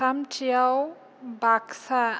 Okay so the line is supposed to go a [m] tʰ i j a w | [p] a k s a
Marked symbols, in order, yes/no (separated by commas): yes, no